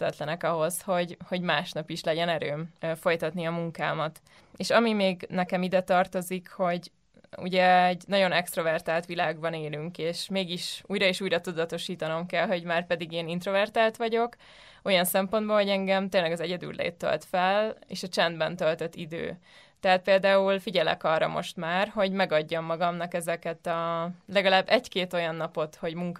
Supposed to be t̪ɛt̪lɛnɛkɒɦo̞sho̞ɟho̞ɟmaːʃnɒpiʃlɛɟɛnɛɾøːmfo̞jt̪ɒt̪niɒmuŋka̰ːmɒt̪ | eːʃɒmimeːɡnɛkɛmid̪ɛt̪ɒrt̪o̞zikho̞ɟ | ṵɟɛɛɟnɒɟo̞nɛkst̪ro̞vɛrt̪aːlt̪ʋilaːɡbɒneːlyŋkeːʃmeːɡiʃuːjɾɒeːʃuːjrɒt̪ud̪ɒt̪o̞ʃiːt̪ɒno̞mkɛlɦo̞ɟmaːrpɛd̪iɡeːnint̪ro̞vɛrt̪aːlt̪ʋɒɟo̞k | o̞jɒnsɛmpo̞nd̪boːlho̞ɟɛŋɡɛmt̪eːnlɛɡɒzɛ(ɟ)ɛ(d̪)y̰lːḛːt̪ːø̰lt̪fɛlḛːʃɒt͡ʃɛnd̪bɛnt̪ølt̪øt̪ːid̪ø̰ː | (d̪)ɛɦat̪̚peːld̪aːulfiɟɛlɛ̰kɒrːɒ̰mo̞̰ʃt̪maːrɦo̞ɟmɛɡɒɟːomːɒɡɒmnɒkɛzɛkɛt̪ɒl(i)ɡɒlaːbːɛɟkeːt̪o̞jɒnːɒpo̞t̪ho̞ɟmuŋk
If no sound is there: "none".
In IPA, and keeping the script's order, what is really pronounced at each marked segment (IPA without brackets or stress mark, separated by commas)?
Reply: ɟ, d̪, t̪, ɛ